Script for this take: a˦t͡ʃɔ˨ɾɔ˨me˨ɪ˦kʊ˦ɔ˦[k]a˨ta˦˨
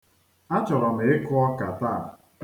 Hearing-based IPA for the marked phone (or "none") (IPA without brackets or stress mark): k